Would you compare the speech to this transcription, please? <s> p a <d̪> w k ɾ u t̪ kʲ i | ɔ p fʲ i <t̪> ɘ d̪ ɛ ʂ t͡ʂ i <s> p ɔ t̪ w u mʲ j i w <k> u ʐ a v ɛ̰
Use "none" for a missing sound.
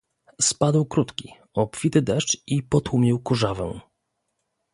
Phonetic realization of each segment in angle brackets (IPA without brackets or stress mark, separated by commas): s, d̪, t̪, none, k